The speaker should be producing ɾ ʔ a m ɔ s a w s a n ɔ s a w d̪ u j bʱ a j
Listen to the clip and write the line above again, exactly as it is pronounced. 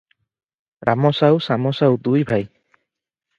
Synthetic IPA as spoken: ɾ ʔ a m ɔ s a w s a m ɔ s a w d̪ u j bʱ a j

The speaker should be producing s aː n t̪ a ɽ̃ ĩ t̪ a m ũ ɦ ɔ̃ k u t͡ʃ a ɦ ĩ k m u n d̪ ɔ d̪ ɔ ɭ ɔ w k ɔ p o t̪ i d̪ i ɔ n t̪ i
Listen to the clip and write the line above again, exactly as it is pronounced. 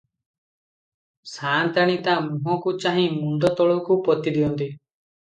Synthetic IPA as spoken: s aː n t̪ a ɽ̃ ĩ t̪ a m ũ ɦ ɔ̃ k u t͡ʃ a ɦ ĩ m u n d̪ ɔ t̪ ɔ ɭ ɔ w k u p ɔ t̪ i d̪ i ɔ n t̪ i

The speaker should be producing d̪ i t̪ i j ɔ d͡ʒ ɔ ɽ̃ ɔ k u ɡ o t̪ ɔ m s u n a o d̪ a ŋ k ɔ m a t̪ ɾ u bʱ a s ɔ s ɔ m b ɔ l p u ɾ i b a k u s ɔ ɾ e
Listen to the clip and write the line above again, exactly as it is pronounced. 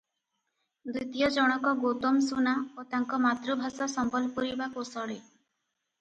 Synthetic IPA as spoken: d̪ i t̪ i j ɔ d͡ʒ ɔ ɽ̃ ɔ k ɔ ɡ o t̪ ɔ m s u n a o t̪ a ŋ k ɔ m a t̪ ɾ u bʱ a s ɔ s ɔ m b ɔ l p u ɾ i b a k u s ɔ ɽ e

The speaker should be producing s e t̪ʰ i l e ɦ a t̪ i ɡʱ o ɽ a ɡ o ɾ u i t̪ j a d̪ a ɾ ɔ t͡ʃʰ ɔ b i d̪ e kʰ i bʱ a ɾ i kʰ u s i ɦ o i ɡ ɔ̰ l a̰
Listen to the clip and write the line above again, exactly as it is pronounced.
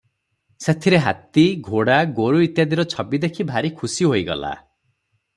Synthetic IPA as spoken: s e t̪ʰ i ɾ e ɦ a t̪ i ɡʱ o ɽ a ɡ o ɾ u i t̪ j a d̪ i ɾ ɔ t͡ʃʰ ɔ b i d̪ e kʰ i bʱ a ɾ i kʰ u s i ɦ o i ɡ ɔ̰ l a̰

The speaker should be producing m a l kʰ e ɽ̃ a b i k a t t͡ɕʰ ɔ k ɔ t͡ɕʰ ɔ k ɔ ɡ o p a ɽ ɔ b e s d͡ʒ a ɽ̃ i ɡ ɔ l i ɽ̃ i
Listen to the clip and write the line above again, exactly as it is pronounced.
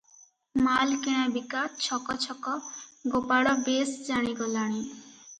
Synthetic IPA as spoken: m a l k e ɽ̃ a b i k a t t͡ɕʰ ɔ k ɔ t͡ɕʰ ɔ k ɔ ɡ o p a ɽ ɔ b e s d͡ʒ a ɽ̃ i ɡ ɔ l a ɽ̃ i

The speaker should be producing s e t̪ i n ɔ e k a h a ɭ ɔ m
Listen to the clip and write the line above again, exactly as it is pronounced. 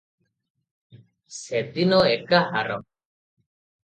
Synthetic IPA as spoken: s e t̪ i n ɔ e k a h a ɾ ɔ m

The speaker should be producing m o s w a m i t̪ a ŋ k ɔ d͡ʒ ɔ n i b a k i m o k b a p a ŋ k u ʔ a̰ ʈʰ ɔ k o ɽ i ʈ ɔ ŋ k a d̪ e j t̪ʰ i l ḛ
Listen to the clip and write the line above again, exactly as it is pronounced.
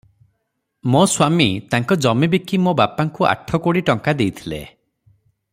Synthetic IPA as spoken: m o s w a m i t̪ a ŋ k ɔ d͡ʒ ɔ m i b i k i m o b a p a ŋ k u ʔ a̰ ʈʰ ɔ k o ɽ i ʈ ɔ ŋ k a d̪ e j t̪ʰ i l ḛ

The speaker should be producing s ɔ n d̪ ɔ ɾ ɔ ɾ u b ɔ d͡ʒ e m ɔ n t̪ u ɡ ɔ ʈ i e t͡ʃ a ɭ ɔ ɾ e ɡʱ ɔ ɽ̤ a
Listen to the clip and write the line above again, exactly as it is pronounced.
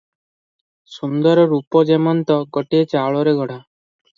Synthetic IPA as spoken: s u n d̪ ɔ ɾ ɔ ɾ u p ɔ d͡ʒ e m ɔ n t̪ ɔ ɡ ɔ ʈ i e t͡ʃ a ɭ ɔ ɾ e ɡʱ ɔ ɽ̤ a

